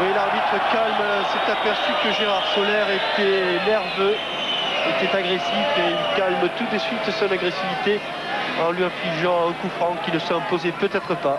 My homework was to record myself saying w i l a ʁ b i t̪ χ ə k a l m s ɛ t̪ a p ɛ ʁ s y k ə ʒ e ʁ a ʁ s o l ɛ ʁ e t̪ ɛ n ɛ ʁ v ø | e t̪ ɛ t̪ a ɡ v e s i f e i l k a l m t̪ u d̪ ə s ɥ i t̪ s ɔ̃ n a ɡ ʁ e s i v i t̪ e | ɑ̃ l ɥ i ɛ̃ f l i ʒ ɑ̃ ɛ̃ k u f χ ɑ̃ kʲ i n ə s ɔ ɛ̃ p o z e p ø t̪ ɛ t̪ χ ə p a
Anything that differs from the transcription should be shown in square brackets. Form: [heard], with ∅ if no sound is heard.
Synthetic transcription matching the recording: w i l a ʁ b i t̪ χ ə k a l m s ɛ t̪ a p ɛ ʁ s y k ə ʒ e ʁ a ʁ s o l ɛ ʁ e t̪ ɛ n ɛ ʁ v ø | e t̪ ɛ t̪ a ɡ [ʁ] e s i f e i l k a l m t̪ u d̪ ə s ɥ i t̪ s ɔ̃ n a ɡ ʁ e s i v i t̪ e | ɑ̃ l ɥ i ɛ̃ f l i ʒ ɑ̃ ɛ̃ k u f χ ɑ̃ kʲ i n ə s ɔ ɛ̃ p o z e p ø t̪ ɛ t̪ χ ə p a